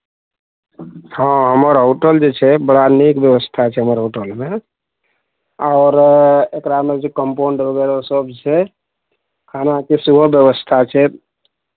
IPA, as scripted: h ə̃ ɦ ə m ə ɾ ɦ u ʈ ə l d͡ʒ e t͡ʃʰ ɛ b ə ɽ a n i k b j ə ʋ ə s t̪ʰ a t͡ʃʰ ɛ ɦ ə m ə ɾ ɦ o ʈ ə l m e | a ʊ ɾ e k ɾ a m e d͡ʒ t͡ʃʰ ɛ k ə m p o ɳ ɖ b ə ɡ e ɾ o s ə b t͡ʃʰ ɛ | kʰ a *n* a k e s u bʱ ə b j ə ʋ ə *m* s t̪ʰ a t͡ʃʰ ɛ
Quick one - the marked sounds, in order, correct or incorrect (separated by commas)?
correct, incorrect